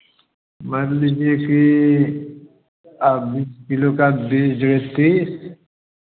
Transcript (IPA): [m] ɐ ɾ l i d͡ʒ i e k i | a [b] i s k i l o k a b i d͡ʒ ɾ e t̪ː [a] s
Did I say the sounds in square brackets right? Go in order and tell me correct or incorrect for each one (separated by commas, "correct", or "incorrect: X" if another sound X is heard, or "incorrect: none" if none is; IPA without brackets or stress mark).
correct, correct, incorrect: i